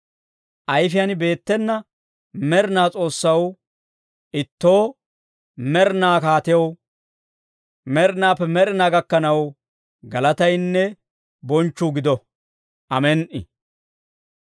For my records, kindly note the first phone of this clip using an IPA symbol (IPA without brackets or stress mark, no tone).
ʔ